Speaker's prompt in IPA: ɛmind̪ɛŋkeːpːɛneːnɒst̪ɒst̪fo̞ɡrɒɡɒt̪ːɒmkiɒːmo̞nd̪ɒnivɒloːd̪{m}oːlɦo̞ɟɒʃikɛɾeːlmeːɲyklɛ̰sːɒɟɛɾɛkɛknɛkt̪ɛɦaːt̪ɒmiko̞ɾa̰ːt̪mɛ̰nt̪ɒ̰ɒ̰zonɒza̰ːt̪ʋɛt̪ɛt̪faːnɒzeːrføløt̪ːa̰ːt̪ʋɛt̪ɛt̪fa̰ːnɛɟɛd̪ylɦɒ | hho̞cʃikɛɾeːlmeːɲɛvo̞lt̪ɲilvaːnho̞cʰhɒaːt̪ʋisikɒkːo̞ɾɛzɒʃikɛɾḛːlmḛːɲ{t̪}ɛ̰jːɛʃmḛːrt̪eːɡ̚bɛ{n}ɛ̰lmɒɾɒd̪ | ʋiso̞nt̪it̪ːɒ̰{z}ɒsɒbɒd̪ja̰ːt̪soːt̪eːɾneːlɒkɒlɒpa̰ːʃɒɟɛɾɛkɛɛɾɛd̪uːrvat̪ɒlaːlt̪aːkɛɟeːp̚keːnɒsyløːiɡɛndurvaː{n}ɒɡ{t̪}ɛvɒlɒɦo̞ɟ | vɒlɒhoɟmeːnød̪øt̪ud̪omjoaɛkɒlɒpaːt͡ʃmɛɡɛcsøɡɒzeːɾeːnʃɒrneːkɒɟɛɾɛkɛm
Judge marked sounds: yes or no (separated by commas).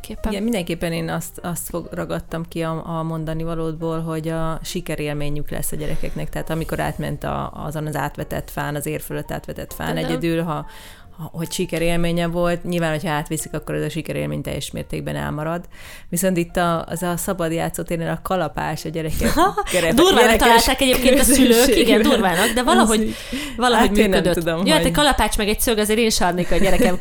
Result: no, yes, yes, yes, yes, no